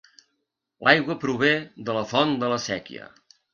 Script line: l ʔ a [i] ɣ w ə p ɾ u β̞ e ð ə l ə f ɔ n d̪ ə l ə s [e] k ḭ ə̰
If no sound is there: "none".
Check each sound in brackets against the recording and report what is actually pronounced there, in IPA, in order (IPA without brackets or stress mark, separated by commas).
j, ɛ